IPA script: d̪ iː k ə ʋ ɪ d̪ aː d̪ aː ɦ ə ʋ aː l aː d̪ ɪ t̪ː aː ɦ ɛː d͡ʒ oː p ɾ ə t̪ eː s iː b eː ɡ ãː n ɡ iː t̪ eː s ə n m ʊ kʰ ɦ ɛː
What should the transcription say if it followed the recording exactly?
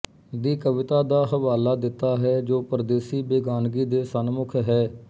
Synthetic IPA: d̪ iː k ə ʋ ɪ t̪ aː d̪ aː ɦ ə ʋ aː l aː d̪ ɪ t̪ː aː ɦ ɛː d͡ʒ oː p ɾ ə d̪ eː s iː b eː ɡ aː n ɡ iː d̪ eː s ə n m ʊ kʰ ɦ ɛː